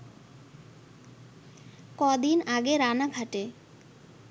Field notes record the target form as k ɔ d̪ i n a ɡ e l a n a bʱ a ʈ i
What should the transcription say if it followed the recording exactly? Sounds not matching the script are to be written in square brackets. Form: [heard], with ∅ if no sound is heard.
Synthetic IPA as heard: k ɔ d̪ i n a ɡ e [ɾ] a n a [ɡʱ] a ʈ [e]